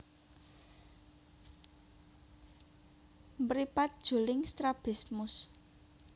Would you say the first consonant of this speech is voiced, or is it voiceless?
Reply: voiced